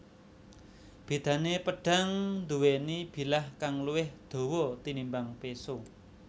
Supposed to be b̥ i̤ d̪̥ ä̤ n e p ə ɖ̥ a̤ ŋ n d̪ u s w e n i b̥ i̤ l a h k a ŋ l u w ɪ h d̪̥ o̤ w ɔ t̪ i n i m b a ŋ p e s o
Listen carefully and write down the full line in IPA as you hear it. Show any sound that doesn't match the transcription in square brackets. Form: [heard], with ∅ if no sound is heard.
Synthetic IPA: b̥ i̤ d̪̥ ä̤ n e p ə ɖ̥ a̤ ŋ n d̪ u [∅] w e n i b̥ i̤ l a h k a ŋ l u w ɪ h d̪̥ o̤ w ɔ t̪ i n i m b a ŋ p e s o